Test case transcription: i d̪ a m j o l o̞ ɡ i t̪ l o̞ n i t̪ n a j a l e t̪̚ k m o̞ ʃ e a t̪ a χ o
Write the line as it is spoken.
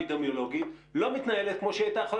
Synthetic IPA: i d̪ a m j o l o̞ ɡ i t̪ l o̞ m i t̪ n a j e l e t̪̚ k m o̞ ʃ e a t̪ a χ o